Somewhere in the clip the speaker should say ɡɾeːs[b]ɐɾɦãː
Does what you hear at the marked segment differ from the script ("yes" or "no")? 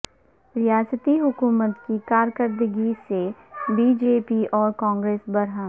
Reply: no